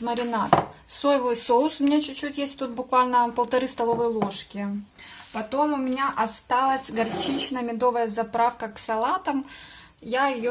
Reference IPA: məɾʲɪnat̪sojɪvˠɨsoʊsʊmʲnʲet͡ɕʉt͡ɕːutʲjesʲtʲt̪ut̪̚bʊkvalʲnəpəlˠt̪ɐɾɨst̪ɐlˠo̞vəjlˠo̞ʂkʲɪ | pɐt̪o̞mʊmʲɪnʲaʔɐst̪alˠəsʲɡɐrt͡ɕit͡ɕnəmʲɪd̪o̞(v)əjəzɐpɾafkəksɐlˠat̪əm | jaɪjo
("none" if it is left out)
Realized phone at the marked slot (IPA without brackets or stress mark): v